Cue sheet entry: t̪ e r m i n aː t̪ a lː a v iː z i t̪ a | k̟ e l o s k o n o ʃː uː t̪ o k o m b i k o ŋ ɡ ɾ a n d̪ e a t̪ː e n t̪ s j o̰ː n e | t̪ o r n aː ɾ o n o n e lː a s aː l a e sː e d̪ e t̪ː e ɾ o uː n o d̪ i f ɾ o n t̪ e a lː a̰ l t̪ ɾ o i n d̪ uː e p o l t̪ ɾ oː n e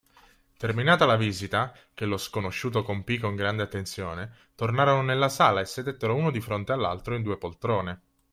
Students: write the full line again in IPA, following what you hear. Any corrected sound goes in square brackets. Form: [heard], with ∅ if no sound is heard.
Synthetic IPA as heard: t̪ e r m i n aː t̪ a [l] a v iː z i t̪ a | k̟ e l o s k o n o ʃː uː t̪ o k o m [p] i k o ŋ ɡ ɾ a n d̪ e a t̪ː e n t̪ s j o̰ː n e | t̪ o r n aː ɾ o n o n e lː a s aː l a e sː e d̪ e t̪ː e ɾ o uː n o d̪ i f ɾ o n t̪ e a lː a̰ l t̪ ɾ o i n d̪ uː e p o l t̪ ɾ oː n e